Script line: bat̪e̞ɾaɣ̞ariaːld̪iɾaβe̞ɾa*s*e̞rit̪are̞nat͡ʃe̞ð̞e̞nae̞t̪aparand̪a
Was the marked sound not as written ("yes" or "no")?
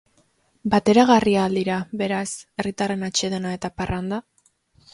no